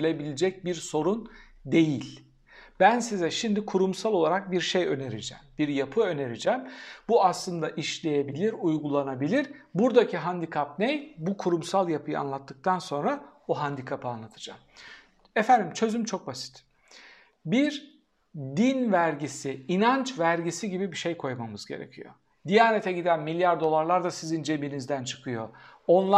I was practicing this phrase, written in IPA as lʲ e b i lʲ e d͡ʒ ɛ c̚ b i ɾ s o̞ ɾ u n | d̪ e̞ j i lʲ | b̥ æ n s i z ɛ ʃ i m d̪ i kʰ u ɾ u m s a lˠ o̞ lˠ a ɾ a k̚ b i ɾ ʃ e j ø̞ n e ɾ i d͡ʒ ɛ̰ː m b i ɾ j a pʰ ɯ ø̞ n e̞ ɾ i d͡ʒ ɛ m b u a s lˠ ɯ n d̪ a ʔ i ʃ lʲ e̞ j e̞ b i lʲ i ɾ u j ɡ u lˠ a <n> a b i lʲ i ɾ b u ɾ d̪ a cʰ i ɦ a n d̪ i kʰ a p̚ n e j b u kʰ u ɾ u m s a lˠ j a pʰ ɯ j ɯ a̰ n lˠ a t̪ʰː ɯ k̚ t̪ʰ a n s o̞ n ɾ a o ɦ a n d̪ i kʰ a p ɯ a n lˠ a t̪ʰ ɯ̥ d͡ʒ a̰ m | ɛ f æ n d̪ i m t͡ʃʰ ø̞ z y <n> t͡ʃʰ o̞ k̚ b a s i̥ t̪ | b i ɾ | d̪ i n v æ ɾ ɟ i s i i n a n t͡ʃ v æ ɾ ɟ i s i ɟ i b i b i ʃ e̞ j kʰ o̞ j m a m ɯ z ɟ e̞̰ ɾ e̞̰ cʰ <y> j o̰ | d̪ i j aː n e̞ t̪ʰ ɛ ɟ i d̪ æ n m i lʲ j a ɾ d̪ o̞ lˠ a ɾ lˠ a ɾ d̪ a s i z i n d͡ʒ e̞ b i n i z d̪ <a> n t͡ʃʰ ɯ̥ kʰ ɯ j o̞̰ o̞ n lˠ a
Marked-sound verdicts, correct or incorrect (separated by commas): correct, incorrect, incorrect, incorrect